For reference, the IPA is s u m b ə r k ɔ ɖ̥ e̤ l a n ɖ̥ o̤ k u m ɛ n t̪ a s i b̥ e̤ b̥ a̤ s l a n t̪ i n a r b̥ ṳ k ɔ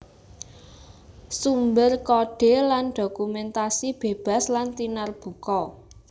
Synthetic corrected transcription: s u m b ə r k ɔ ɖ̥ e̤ l a n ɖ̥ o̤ k u m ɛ n t̪ a s i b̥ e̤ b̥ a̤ s l a n t̪ i n a r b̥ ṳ k ɔ